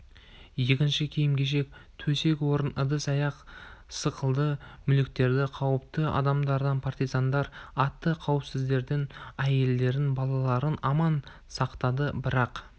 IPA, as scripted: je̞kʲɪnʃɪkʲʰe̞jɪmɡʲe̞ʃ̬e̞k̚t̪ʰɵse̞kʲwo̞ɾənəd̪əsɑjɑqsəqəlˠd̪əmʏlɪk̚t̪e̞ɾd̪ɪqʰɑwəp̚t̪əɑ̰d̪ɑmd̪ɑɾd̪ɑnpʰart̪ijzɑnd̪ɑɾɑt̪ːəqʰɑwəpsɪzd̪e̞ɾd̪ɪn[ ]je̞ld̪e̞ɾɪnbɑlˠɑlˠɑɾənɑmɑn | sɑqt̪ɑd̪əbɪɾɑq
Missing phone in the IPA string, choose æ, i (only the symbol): æ